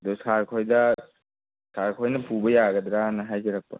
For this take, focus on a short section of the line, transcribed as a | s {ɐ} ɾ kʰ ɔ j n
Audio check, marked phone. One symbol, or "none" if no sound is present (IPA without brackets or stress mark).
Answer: a